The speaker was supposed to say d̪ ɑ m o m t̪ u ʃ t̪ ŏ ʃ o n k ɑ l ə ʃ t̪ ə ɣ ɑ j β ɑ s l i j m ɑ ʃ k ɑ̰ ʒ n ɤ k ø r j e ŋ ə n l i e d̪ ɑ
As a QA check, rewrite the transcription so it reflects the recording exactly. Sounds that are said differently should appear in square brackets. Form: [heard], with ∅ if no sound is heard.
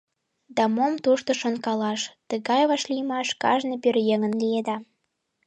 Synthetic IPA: d̪ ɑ m o m t̪ u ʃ t̪ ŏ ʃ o n k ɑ l [ɑ] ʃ t̪ ə ɣ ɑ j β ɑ [ʃ] l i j m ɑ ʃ k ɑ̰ ʒ n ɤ [p] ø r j e ŋ ə n l i e d̪ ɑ